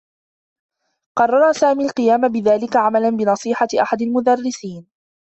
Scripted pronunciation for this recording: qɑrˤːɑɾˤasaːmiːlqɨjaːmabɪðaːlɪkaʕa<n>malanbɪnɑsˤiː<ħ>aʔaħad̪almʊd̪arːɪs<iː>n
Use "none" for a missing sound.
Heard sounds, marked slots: none, ħ, iː

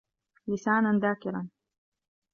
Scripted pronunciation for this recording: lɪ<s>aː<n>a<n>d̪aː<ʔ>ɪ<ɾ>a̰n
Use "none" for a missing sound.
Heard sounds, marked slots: s, n, n, k, ɾ

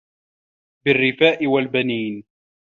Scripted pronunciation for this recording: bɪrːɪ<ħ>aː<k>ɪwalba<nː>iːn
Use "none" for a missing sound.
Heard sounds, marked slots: f, ʔ, n

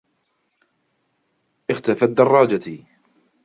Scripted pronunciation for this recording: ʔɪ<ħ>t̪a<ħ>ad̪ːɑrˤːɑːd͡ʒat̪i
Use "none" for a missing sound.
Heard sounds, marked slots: x, f

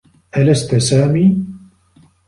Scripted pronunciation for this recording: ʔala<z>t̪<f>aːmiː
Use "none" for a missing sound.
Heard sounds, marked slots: s, s

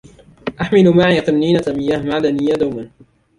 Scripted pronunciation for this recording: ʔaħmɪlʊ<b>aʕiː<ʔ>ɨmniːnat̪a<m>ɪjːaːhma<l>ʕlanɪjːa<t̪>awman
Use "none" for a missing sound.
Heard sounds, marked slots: m, q, m, none, d̪

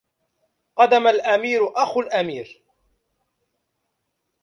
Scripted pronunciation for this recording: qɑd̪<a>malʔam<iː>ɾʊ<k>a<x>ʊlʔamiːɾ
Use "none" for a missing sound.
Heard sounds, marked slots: a, iː, ʔ, x

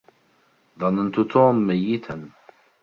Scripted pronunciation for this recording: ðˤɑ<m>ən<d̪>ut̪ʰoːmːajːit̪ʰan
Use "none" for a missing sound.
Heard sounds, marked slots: n, t̪

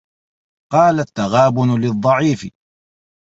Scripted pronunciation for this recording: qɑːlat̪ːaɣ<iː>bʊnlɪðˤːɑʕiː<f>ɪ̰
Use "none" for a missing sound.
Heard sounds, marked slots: aː, f

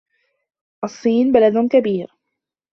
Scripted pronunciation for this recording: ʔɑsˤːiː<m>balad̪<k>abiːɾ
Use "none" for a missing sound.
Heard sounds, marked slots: n, k

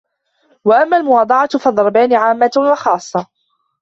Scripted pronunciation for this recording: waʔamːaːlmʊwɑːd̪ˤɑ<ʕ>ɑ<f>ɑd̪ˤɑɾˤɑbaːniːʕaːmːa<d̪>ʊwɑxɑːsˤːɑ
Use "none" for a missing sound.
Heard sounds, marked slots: ʕ, f, t̪

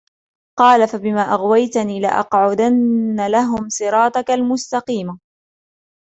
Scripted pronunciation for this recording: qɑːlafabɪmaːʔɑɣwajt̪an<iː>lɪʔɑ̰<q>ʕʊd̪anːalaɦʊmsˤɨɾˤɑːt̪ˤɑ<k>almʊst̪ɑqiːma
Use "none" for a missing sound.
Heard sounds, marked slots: iː, q, k

